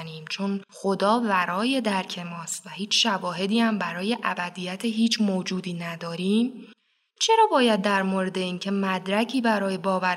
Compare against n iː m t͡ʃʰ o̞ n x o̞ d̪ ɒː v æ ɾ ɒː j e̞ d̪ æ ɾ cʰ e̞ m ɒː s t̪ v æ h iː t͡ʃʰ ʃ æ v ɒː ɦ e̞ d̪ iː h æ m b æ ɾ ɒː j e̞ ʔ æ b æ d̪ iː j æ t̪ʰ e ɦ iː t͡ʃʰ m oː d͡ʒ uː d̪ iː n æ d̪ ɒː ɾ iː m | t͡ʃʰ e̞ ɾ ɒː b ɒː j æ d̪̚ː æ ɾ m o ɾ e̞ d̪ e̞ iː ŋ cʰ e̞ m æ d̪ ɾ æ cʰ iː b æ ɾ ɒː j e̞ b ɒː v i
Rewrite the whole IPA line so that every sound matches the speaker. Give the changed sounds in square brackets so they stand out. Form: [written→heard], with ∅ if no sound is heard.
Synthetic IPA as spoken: n iː m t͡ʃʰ o̞ n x o̞ d̪ ɒː v æ ɾ ɒː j e̞ d̪ æ ɾ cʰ e̞ m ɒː s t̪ v æ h iː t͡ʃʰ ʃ æ v ɒː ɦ e̞ d̪ iː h æ m b æ ɾ ɒː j e̞ ʔ æ b æ d̪ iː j æ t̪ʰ e ɦ iː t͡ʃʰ m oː d͡ʒ uː d̪ iː n æ d̪ ɒː ɾ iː m | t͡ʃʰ e̞ ɾ ɒː b ɒː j æ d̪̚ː æ ɾ m o ɾ e̞ d̪ e̞ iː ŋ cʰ e̞ m æ d̪ ɾ æ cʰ iː b æ ɾ ɒː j e̞ b ɒː v [i→æ]